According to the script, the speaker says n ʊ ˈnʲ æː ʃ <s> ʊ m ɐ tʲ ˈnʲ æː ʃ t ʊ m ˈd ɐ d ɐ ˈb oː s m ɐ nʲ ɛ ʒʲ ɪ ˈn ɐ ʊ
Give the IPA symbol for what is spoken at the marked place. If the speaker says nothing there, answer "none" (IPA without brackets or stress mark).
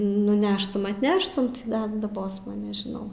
t